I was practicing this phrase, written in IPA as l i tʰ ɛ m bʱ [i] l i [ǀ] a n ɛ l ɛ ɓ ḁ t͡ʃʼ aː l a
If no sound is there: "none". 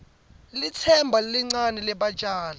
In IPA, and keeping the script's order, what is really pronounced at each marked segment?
a, ŋ͡ǀ

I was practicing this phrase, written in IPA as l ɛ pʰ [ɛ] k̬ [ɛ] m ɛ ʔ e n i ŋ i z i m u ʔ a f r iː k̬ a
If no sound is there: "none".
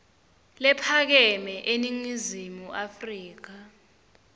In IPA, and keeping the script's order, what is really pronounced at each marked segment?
a, ɛ

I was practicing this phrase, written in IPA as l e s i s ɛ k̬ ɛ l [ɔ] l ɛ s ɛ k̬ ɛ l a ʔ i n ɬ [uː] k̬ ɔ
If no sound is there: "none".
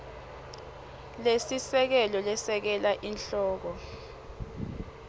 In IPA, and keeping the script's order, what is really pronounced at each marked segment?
ɔ, ɔː

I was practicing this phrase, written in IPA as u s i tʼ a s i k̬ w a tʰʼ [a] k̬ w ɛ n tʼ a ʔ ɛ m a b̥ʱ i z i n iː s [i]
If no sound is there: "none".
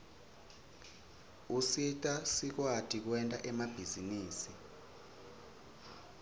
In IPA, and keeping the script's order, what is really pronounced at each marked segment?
i, i

